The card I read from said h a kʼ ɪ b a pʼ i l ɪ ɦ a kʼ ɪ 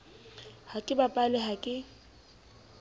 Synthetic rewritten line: h a kʼ ɪ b a pʼ a l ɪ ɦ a kʼ ɪ

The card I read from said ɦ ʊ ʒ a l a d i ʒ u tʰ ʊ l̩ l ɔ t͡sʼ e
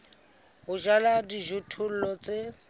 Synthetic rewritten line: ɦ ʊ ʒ a l a d i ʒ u tʰ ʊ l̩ l ɔ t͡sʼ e

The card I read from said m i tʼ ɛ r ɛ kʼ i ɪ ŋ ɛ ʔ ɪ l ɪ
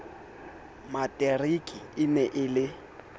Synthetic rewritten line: m a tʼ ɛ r i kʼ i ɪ n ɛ ʔ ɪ l ɪ

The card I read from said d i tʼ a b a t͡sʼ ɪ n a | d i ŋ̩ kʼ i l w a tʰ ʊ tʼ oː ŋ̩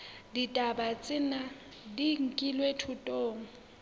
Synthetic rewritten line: d i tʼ a b a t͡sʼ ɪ n a | d i ŋ̩ kʼ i l w e tʰ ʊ tʼ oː ŋ̩

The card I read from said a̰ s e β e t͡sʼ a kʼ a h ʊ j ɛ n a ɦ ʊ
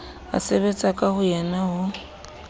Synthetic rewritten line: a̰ s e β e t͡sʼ a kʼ a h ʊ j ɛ n a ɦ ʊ

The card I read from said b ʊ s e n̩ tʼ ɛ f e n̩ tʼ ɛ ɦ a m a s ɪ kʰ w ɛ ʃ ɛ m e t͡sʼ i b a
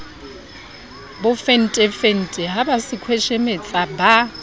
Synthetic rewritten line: b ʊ f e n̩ tʼ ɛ f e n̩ tʼ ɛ ɦ a b a s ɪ kʰ w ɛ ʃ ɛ m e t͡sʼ a b a

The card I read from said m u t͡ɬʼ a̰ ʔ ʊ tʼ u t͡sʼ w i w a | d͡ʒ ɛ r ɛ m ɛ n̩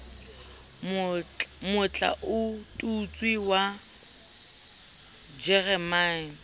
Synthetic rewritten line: m ʊ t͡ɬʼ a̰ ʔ ʊ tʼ u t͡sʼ w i w a | d͡ʒ ɛ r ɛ m a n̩

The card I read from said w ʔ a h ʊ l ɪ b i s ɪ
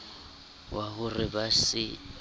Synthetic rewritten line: w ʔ a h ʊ r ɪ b a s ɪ

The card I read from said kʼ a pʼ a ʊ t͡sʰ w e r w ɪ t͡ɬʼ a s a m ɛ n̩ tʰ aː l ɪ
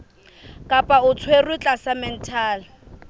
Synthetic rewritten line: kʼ a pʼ a ʊ t͡sʰ w e r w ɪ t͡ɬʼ a s a m ɛ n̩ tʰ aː l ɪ

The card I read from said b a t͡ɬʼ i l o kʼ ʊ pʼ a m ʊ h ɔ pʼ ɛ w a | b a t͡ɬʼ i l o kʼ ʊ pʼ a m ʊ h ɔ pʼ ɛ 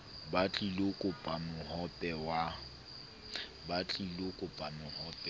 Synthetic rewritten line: b a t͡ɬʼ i l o kʼ ʊ pʼ a m ʊ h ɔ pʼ ɛ w a | b a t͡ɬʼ i l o kʼ ʊ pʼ a m ʊ h ɔ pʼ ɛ

